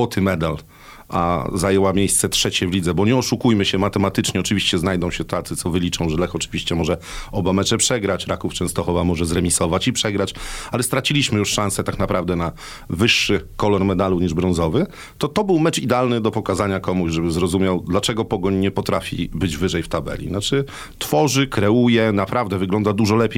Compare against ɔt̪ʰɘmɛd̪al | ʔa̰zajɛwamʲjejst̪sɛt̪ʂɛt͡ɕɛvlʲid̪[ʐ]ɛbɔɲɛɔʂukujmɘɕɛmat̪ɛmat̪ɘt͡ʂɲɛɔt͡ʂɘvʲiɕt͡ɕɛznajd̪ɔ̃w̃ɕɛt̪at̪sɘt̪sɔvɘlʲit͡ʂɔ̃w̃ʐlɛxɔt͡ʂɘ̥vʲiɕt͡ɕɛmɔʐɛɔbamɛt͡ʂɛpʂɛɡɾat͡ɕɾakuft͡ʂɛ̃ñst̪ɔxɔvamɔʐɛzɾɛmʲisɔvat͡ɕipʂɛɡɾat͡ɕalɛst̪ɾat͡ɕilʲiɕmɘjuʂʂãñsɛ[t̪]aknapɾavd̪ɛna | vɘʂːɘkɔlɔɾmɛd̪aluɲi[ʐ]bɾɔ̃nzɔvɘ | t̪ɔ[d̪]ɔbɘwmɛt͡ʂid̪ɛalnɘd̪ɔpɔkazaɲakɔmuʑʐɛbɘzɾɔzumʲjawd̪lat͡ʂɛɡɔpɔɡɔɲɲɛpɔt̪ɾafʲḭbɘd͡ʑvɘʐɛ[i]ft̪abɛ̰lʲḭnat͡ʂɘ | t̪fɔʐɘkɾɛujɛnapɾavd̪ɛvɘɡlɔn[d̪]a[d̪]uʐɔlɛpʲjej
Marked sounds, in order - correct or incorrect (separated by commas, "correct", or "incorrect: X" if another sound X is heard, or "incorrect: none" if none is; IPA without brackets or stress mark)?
incorrect: z, correct, correct, incorrect: t̪, incorrect: j, correct, correct